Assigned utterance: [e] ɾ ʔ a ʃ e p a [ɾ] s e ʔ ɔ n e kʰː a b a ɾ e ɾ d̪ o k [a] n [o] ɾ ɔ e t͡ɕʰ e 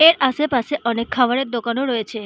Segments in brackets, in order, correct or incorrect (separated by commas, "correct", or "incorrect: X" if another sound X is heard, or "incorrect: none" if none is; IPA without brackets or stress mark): correct, incorrect: none, correct, correct